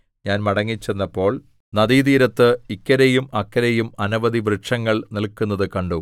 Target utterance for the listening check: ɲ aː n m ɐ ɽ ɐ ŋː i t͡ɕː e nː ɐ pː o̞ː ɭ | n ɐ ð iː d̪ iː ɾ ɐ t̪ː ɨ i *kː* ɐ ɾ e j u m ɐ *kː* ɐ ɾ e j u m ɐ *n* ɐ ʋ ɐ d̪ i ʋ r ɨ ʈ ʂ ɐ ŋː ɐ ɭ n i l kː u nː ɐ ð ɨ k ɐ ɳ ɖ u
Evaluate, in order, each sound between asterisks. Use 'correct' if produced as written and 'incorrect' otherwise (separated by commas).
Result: correct, correct, correct